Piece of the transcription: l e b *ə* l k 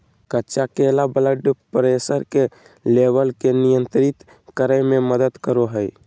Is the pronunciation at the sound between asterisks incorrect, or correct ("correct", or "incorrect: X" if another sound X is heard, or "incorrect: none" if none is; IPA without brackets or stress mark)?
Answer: correct